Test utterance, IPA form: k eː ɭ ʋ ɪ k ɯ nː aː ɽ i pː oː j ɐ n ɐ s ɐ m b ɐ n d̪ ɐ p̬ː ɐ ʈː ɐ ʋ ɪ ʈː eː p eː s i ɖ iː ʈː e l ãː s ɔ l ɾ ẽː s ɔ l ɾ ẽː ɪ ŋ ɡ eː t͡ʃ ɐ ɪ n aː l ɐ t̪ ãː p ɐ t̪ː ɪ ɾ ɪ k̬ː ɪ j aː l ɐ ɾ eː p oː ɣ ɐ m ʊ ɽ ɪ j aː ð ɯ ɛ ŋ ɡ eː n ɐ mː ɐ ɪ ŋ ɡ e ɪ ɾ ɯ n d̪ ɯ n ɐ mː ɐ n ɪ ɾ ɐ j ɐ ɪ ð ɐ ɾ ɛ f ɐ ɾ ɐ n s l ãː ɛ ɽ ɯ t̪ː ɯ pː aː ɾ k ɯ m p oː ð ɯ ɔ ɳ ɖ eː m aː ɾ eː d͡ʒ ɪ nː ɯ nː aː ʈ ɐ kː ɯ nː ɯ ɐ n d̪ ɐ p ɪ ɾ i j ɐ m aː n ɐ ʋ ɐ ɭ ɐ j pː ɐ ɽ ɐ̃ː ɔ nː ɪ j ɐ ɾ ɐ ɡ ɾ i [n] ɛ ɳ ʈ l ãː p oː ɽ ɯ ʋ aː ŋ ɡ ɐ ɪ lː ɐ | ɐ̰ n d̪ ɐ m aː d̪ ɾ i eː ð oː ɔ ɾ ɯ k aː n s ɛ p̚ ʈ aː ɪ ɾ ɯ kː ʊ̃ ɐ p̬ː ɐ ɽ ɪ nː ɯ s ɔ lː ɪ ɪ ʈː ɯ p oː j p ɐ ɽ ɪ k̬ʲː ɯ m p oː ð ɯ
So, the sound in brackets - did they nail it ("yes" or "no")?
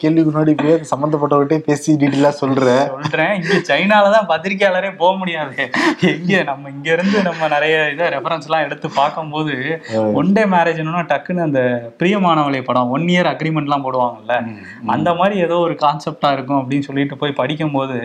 no